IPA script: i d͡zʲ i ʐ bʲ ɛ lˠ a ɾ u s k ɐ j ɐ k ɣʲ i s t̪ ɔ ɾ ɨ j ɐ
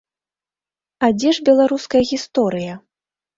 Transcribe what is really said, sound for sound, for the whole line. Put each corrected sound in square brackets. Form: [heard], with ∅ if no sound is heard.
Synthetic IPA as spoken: [a] d͡zʲ [ɛ] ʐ bʲ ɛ lˠ a ɾ u s k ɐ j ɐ [∅] ɣʲ i s t̪ ɔ ɾ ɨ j ɐ